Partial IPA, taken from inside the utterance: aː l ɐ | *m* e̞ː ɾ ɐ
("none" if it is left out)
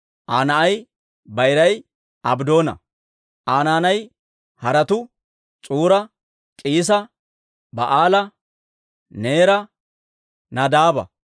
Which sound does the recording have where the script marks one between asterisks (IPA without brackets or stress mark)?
n